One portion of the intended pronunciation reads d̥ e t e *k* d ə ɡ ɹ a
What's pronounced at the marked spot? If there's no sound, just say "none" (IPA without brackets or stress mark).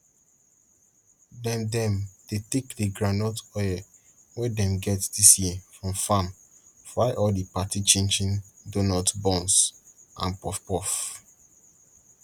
k